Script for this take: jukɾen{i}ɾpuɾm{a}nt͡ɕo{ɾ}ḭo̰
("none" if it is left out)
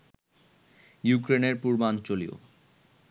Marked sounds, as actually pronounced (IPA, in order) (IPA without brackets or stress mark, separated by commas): e, a, l